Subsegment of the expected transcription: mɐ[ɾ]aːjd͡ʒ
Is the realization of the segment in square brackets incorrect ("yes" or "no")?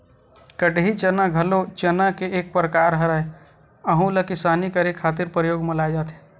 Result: yes